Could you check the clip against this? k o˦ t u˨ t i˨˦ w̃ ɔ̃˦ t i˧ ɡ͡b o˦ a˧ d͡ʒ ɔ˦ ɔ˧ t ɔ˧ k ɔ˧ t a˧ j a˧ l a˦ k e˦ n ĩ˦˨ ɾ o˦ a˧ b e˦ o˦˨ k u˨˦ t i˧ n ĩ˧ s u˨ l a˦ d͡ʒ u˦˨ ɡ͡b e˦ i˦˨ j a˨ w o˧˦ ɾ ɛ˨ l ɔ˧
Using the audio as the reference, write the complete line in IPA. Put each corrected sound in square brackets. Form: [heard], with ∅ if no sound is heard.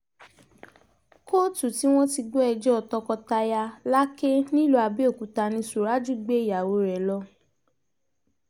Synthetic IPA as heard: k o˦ t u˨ t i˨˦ w̃ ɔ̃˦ t i˧ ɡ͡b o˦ [ɛ˧] d͡ʒ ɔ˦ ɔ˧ t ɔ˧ k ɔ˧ t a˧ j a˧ l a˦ k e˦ n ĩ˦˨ [l] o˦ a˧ b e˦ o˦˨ k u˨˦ t [a˧] n ĩ˧ s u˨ [ɾ] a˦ d͡ʒ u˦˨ ɡ͡b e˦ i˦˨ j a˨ w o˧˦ ɾ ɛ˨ l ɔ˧